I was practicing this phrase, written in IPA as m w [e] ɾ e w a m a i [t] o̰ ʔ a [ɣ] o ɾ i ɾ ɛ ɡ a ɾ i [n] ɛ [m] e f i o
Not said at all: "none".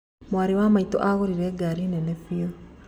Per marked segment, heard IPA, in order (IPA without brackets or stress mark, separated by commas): a, t, ɣ, n, n